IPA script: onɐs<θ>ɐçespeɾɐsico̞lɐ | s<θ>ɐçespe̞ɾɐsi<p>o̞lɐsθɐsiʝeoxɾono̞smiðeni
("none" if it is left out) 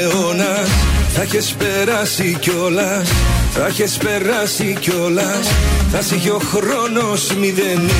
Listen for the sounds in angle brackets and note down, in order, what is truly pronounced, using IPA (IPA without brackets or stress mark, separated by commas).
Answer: θ, θ, c